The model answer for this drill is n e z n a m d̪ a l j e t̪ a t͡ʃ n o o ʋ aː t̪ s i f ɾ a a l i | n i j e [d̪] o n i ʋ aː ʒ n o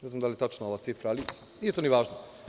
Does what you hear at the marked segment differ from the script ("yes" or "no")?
yes